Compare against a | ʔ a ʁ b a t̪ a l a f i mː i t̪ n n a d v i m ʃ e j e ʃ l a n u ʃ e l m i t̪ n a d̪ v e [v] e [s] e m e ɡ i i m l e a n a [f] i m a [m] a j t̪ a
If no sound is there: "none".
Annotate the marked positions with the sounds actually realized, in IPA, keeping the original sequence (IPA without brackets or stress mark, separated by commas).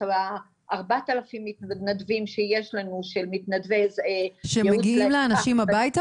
z, ʃ, ʃ, b